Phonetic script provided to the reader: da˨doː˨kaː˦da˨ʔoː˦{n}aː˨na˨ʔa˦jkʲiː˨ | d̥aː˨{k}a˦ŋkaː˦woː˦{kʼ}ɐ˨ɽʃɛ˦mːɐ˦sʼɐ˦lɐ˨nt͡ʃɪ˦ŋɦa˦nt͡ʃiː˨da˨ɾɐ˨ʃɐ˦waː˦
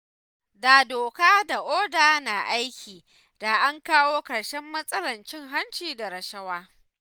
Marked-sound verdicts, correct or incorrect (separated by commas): incorrect, incorrect, incorrect